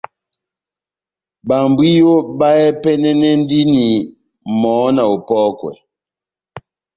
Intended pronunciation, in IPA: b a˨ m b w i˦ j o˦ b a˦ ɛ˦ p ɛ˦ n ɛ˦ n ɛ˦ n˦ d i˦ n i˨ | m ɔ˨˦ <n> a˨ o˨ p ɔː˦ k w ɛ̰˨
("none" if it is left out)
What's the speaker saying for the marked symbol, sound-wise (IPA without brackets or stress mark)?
n